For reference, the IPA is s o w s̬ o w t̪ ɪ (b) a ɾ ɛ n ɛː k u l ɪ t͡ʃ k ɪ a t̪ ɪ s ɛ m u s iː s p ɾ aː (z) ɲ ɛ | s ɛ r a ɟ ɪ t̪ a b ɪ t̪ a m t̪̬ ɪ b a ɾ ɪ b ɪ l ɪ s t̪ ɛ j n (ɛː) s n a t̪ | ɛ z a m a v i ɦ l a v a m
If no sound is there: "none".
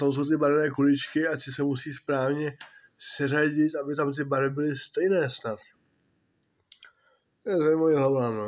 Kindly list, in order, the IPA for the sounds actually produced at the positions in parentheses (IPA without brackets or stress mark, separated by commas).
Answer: b, v, ɛː